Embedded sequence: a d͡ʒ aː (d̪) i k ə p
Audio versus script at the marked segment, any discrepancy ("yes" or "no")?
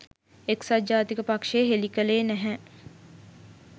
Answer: yes